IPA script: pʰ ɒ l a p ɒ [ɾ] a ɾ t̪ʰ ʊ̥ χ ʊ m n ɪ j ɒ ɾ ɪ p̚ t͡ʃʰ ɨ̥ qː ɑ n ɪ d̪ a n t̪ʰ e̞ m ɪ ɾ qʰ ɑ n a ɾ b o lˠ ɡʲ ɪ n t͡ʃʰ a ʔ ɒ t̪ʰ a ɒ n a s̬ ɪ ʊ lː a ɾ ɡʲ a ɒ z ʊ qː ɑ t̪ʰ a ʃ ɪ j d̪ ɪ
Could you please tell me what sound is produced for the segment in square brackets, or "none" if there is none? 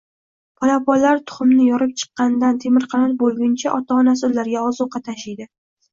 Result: l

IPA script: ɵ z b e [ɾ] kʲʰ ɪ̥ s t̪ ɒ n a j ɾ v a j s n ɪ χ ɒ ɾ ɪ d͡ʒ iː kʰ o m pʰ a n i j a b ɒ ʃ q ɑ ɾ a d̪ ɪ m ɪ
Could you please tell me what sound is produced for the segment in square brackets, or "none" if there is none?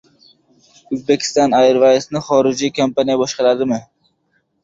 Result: none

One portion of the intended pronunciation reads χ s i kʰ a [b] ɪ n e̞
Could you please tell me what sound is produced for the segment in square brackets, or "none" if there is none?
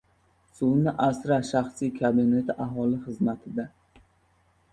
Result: b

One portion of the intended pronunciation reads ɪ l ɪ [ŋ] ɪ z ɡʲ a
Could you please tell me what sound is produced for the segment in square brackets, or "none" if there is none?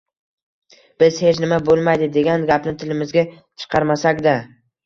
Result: m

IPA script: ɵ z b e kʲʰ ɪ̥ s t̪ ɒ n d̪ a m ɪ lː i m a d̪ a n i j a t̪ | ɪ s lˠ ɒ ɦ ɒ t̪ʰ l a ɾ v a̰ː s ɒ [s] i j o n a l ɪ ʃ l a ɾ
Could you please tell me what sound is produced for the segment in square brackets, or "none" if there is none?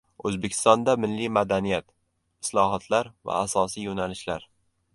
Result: s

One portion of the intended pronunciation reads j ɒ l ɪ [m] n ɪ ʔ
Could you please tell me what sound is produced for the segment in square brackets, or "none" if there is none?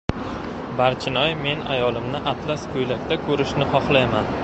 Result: m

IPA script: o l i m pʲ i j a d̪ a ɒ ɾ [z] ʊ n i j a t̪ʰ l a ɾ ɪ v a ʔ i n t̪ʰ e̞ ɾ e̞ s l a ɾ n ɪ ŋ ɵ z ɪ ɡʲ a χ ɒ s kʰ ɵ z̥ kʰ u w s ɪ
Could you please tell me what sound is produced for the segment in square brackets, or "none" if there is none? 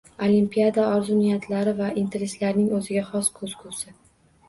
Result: z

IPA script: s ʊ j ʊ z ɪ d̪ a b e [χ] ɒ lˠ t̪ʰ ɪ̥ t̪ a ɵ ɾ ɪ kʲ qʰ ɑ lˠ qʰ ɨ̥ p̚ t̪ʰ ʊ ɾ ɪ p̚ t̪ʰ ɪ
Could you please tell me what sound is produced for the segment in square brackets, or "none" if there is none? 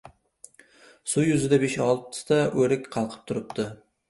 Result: ʃ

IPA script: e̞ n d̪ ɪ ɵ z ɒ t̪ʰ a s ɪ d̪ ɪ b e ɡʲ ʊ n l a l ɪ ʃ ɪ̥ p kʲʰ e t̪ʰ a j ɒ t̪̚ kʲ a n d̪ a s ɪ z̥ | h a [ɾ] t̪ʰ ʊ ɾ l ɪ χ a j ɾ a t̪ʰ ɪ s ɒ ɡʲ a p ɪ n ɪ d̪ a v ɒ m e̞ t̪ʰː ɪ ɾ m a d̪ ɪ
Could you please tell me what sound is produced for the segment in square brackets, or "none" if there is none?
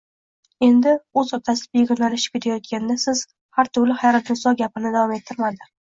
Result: ɾ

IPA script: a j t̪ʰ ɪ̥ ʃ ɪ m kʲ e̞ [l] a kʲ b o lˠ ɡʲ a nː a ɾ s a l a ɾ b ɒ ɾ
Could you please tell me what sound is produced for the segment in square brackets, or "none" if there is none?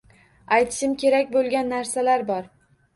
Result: ɾ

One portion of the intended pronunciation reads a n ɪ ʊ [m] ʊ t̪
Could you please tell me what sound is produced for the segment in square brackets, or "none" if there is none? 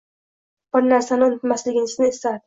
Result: n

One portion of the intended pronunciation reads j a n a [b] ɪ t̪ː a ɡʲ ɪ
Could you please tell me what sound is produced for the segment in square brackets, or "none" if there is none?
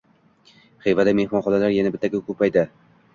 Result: b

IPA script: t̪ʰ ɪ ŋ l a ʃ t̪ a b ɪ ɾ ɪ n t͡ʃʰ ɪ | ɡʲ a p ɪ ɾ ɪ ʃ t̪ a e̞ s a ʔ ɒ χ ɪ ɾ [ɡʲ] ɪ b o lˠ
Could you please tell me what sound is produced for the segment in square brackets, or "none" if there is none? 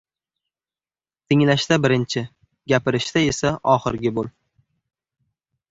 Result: ɡʲ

